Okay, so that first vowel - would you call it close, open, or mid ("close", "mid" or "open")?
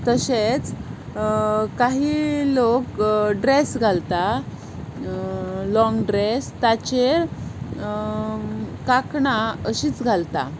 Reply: mid